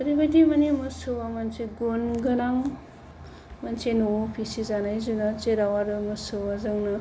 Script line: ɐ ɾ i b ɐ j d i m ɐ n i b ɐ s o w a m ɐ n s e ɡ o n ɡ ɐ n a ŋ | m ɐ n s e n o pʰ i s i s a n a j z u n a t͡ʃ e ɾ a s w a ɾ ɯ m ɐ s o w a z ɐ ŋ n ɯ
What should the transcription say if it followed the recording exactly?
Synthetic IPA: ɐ ɾ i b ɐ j d i m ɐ n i m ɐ s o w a m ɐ n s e ɡ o n ɡ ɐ n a ŋ | m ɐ n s e n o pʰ i s i z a n a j z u n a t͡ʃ e ɾ a w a ɾ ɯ m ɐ s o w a z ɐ ŋ n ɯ